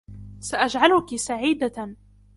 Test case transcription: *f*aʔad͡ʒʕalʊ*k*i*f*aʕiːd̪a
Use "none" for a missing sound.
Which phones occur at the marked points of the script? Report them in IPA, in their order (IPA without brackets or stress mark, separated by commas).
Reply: s, k, s